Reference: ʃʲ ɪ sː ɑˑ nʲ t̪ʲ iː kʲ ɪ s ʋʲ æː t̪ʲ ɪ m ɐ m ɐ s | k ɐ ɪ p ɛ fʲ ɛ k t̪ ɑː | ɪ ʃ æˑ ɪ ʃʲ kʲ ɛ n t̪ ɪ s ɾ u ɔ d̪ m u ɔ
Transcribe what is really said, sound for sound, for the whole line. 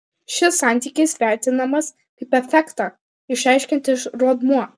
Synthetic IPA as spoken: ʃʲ ɪ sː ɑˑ nʲ t̪ʲ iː kʲ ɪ s ʋʲ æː t̪ʲ ɪ n ɐ m ɐ s | k ɐ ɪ p ɛ fʲ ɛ k t̪ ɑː | ɪ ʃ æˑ ɪ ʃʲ kʲ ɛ n t̪ ɪ ʃ ɾ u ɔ d̪ m u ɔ